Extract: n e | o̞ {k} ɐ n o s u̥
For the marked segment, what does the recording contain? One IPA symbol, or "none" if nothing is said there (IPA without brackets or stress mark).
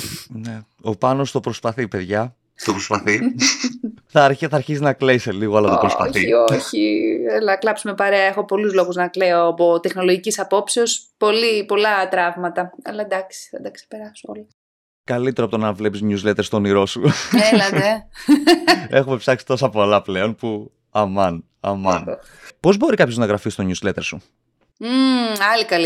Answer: p